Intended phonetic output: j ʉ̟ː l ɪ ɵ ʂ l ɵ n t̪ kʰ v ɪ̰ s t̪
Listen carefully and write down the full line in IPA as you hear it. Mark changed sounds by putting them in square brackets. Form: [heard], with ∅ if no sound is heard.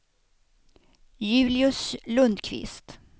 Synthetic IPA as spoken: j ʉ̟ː l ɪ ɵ [s] l ɵ n [d̪] kʰ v ɪ̰ s t̪